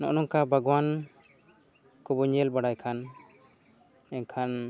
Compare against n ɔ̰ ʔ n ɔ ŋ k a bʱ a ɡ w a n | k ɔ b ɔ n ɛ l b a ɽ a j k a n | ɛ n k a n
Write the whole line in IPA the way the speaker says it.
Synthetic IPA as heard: n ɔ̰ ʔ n ɔ ŋ k a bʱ a ɡ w a n | k ɔ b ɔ ɲ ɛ l b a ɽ a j kʰ a n | ɛ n kʰ a n